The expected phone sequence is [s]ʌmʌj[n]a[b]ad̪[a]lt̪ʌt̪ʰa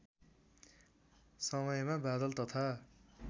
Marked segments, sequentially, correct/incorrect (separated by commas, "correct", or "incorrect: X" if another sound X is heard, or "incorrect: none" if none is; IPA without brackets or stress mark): correct, incorrect: m, correct, incorrect: ʌ